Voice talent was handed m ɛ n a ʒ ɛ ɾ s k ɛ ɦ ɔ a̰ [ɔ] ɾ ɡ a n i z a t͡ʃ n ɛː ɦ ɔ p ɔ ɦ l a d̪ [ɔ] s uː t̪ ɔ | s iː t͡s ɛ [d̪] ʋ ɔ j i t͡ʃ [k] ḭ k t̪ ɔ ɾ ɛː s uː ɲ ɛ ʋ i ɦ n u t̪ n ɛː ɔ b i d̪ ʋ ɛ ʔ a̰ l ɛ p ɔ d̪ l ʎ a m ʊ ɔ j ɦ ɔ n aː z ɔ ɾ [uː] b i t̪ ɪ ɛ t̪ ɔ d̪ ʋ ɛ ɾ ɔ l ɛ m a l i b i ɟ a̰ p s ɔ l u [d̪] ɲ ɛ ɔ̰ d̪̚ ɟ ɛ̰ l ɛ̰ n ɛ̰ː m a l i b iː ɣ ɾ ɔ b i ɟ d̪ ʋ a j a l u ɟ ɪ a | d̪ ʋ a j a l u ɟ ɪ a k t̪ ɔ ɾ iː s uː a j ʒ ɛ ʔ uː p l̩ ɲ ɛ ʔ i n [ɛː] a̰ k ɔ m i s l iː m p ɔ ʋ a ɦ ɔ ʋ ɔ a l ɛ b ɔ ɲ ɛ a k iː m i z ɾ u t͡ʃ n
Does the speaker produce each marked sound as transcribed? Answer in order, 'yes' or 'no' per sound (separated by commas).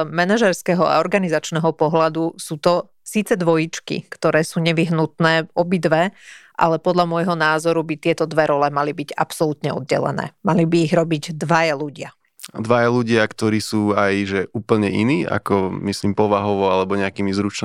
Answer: yes, no, yes, yes, no, no, no